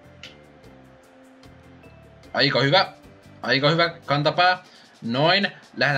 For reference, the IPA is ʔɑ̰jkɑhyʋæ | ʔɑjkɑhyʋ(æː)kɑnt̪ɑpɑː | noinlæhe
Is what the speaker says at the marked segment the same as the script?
no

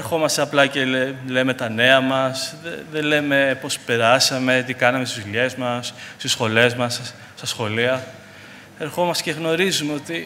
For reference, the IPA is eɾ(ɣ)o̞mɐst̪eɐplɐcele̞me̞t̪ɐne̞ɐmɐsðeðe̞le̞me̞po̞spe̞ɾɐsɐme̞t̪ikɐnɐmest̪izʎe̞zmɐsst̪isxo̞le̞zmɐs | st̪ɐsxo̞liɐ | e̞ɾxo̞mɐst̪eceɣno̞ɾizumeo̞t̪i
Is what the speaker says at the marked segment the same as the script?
no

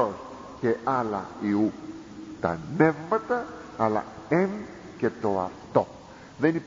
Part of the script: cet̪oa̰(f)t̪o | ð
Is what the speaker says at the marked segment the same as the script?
yes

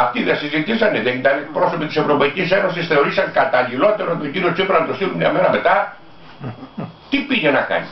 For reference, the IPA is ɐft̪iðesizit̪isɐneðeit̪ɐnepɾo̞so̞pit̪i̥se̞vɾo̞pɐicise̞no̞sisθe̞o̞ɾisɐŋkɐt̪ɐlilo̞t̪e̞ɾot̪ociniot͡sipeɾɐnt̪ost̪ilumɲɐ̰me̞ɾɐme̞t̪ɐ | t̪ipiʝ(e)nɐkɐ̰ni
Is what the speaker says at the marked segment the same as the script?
yes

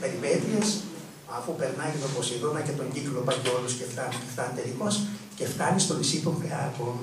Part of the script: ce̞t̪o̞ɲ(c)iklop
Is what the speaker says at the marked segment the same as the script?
no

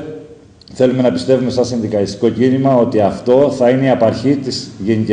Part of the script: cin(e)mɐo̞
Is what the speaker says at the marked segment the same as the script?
no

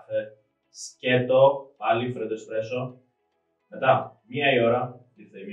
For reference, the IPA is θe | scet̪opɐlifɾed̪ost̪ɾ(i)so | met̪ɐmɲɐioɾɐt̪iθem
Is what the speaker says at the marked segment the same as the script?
no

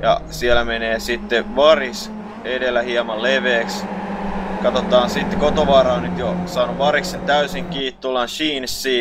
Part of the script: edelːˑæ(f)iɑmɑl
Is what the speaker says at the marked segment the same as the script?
no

